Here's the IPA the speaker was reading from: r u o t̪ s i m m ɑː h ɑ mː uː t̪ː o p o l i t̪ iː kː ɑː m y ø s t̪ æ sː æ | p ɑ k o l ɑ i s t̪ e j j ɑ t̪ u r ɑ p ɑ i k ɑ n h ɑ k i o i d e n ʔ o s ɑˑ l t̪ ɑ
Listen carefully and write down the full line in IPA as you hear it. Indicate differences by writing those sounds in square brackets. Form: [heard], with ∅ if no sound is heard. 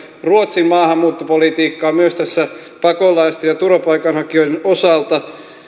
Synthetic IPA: r u o t̪ s i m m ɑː h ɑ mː uː t̪ː o p o l i t̪ iː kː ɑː m y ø s t̪ æ sː æ | p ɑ k o l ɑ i s t̪ e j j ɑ t̪ u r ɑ p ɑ i k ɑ n h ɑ k i o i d e n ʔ o s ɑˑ l t̪ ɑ

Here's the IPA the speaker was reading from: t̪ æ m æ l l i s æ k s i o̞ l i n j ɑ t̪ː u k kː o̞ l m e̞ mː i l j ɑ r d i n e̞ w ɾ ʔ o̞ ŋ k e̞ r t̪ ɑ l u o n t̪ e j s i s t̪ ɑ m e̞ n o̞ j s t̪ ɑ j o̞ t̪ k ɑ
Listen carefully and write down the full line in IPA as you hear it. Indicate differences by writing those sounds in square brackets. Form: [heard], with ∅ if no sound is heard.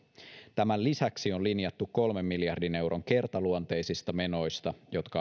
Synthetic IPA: t̪ æ m æ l l i s æ k s i o̞ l i n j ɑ t̪ː u k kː o̞ l m e̞ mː i l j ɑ r d i n e̞ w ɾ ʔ o̞ ŋ k e̞ r t̪ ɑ l u o n t̪ e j s i s t̪ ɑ m e̞ n o̞ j s t̪ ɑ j o̞ t̪ k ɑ

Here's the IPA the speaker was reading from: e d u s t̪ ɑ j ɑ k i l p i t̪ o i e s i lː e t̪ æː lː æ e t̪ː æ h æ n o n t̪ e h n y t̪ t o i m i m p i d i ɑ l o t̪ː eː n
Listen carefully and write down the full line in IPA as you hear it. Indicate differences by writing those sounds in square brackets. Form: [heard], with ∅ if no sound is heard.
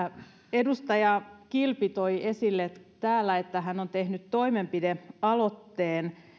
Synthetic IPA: e d u s t̪ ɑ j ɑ k i l p i t̪ o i e s i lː e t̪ æː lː æ e t̪ː æ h æ n o n t̪ e h n y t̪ t o i m [e] m p i d [e] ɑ l o t̪ː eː n

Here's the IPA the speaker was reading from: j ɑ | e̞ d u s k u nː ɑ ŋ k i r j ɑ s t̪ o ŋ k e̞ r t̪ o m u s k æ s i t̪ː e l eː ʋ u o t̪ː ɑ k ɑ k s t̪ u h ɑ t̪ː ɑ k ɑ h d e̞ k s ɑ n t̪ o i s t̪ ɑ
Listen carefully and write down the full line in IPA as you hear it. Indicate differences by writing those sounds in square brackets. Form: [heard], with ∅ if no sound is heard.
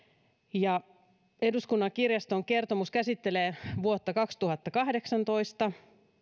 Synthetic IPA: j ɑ | e̞ d u s k u nː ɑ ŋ k i r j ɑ s t̪ o ŋ k e̞ r t̪ o m u s k æ s i t̪ː e l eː ʋ u o t̪ː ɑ k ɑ k s t̪ u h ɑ t̪ː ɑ k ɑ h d e̞ k s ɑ n t̪ o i s t̪ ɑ

